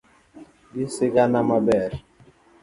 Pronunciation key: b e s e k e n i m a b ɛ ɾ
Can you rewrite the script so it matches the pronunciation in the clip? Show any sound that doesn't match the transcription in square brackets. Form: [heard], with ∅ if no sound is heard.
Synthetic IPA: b [i] s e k [a] n [a] m a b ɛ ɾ